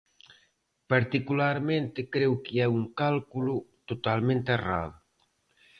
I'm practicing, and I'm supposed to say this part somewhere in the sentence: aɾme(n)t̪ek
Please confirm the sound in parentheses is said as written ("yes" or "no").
yes